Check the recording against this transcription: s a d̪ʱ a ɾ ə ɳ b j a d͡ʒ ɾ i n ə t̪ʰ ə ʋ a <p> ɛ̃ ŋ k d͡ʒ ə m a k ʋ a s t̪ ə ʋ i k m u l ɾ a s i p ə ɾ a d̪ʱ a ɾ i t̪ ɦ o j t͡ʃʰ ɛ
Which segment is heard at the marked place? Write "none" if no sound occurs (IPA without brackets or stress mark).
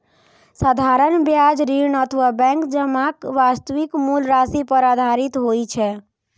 b